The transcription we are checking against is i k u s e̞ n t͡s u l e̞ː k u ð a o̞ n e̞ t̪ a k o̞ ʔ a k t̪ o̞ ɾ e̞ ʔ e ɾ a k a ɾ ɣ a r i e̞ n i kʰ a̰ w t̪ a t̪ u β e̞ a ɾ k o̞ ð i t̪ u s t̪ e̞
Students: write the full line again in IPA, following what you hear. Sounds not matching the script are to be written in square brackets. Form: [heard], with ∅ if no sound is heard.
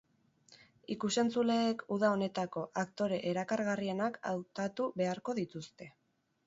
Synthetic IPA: i k u s e̞ n t͡s u l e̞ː k u ð a o̞ n e̞ t̪ a k o̞ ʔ a k t̪ o̞ ɾ e̞ ʔ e ɾ a k a ɾ ɣ a r i e̞ n [a] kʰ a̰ w t̪ a t̪ u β e̞ a ɾ k o̞ ð i t̪ u s t̪ e̞